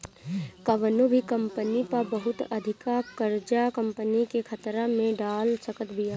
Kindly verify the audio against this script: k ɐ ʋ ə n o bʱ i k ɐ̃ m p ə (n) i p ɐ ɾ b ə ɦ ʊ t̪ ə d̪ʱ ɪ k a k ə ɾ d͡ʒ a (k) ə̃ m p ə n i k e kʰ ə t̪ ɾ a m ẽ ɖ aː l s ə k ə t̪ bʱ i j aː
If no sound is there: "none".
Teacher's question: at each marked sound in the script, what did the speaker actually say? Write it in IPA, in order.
n, k

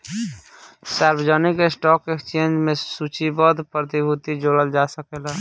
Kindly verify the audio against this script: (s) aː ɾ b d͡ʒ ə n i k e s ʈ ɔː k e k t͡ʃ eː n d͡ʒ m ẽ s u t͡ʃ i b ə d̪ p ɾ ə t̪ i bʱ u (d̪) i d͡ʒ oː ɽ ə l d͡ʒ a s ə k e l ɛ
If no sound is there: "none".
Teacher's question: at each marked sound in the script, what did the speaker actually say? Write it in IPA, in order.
s, t̪

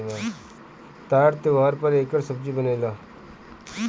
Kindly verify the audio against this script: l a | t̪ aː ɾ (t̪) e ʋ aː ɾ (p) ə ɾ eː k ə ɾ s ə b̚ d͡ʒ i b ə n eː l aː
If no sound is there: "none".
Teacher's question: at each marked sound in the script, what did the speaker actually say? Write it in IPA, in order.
t̪, p

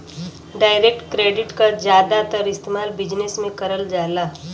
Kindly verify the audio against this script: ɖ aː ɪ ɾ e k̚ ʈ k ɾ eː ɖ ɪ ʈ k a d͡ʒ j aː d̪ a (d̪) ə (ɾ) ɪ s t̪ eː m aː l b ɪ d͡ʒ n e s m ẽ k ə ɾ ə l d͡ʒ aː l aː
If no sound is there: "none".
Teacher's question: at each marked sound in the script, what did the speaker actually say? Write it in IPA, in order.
t̪, ɾ

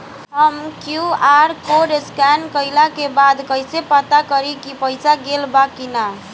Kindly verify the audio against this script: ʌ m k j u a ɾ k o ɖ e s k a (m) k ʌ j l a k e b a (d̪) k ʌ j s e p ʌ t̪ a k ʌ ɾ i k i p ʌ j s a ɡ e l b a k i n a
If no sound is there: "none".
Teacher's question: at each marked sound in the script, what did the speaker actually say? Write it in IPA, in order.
n, d̪

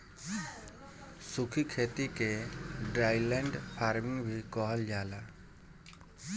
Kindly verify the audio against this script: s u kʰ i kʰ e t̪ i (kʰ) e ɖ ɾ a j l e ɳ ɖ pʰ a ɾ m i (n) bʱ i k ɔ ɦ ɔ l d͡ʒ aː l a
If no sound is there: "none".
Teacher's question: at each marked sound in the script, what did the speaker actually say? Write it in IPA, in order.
k, ŋ

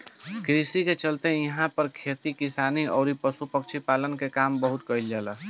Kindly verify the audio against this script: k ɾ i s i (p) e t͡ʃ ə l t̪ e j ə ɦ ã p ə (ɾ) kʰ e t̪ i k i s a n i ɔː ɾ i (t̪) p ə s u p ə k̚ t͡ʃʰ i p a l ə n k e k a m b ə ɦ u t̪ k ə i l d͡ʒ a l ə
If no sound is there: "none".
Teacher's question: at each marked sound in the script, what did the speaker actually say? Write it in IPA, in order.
k, ɾ, none

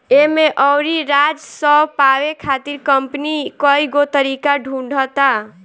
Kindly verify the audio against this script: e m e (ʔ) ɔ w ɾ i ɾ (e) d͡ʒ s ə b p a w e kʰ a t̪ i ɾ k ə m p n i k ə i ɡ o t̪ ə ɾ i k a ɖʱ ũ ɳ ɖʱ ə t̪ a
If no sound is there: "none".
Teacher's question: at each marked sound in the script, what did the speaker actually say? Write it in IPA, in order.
ʔ, a

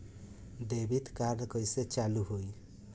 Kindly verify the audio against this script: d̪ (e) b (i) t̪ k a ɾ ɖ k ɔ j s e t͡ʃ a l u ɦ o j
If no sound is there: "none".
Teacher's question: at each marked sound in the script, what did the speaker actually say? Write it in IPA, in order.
e, i

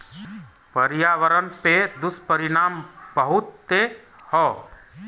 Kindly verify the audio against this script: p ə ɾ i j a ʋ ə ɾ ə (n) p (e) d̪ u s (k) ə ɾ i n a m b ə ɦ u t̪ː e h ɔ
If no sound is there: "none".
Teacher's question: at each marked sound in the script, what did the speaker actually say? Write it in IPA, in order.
n, e, p

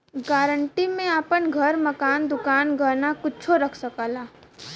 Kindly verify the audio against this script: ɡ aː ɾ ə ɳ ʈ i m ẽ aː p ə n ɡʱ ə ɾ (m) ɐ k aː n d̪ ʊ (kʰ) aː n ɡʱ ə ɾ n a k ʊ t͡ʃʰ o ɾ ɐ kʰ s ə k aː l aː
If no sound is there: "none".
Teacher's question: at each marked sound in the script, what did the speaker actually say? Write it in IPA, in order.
m, k

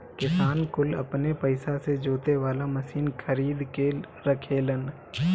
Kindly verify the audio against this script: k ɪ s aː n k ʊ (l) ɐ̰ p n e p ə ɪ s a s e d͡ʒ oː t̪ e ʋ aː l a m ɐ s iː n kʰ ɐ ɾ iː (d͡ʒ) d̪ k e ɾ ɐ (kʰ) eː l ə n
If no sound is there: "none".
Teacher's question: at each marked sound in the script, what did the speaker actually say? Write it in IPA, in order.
l, none, kʰ

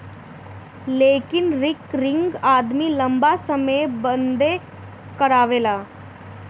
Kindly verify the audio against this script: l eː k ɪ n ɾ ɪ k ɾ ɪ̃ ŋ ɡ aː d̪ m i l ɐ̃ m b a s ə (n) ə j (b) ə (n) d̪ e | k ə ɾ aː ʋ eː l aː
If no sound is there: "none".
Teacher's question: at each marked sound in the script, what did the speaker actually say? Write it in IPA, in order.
m, b, n

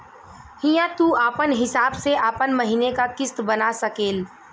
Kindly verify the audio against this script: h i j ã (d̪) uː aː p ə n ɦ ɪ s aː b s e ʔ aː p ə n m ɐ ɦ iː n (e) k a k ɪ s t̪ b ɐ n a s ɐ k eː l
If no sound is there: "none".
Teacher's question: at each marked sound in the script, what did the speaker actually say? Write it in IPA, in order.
t̪, e

